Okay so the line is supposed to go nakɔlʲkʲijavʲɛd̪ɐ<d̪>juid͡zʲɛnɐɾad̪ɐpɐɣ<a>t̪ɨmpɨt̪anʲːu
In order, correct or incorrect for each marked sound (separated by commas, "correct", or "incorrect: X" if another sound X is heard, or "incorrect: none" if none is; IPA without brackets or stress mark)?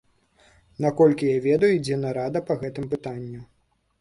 incorrect: none, incorrect: ɛ